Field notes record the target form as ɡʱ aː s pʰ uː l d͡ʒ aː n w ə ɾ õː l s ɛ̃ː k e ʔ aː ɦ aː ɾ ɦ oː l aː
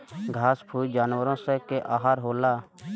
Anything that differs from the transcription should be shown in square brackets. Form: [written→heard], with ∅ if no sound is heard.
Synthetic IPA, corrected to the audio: ɡʱ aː s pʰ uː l d͡ʒ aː n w ə ɾ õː [l→∅] s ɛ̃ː k e ʔ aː ɦ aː ɾ ɦ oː l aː